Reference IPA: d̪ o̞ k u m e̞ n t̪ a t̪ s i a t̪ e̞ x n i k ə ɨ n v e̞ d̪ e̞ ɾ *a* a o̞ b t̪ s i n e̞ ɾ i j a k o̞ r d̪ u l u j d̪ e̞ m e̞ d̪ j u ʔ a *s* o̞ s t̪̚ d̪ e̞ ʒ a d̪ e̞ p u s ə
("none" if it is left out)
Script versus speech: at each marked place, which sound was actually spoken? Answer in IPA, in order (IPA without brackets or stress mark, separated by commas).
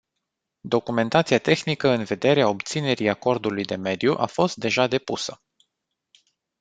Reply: e, f